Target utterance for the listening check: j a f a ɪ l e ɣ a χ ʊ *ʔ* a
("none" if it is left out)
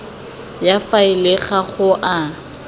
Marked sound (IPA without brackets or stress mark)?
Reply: ʔ